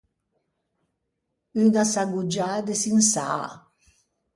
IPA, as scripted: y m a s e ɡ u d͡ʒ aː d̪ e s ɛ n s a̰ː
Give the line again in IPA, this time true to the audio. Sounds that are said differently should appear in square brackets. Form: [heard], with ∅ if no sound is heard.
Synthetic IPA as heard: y [n] a s [a] ɡ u d͡ʒ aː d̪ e s [i] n s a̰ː

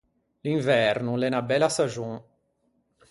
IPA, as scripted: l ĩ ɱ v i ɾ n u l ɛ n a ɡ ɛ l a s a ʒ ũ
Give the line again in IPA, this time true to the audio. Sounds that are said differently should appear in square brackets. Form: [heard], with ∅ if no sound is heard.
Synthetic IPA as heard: l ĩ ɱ v [ɛ] ɾ n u l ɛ n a [b] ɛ l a s a ʒ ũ

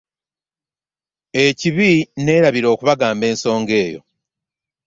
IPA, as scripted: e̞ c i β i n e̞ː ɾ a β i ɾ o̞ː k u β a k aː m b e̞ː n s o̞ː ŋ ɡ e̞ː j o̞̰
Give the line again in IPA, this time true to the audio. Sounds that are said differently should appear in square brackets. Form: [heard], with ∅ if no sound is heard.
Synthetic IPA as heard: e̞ c i β i n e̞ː ɾ a β i ɾ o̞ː k u β a [ɡ] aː m b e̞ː n s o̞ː ŋ ɡ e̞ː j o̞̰

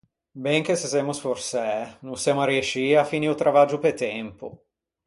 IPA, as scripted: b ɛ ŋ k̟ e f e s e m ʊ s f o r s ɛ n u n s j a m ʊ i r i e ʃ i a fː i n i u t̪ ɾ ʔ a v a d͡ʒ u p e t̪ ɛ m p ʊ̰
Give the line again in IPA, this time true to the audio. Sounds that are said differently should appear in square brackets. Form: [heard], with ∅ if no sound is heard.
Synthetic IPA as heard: b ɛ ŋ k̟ e [s] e s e m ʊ s f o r s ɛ n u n s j a m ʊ [a] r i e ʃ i a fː i n i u t̪ ɾ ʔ a v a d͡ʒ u p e t̪ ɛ m p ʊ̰

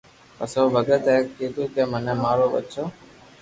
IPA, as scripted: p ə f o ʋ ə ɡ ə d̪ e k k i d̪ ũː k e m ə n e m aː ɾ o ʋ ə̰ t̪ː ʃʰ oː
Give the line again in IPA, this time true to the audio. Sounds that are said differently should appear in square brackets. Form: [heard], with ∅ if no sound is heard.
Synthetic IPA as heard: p ə [s] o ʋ ə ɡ ə [t̪] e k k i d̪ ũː k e m ə n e m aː ɾ o ʋ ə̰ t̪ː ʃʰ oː

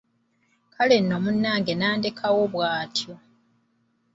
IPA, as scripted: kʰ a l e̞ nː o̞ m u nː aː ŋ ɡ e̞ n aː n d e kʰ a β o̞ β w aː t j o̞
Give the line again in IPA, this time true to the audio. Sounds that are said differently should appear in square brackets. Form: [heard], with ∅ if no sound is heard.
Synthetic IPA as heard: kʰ a l e̞ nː o̞ m u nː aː ŋ ɡ e̞ n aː n d e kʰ a [w] o̞ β w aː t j o̞

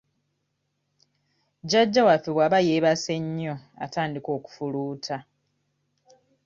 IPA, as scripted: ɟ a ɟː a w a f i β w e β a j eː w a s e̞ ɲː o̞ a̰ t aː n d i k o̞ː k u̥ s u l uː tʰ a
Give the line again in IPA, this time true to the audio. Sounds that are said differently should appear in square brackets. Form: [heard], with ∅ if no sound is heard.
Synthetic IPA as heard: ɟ a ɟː a w a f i β w [a] β a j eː [β] a s e̞ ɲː o̞ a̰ t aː n d i k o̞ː k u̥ [f] u l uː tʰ a

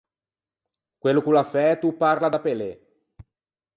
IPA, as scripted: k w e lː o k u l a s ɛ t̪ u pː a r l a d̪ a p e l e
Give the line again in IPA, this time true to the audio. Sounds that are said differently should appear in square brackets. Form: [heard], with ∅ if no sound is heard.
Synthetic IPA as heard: k w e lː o k u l a [f] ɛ t̪ u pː a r l a d̪ a p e l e

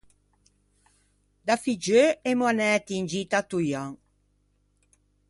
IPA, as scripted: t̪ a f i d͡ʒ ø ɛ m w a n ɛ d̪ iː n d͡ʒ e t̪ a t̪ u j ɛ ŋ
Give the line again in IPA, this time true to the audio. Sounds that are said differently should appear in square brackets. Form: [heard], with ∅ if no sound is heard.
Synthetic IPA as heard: [d̪] a f i d͡ʒ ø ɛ m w a n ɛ [t̪] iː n d͡ʒ [i] t̪ a t̪ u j [a] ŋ

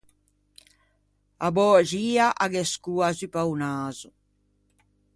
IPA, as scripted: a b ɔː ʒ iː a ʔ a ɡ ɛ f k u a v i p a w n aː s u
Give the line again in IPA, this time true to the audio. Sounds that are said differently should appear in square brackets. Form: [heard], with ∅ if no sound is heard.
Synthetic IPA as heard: a b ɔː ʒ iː a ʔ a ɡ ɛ [s] k u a [z] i p a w n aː [z] u

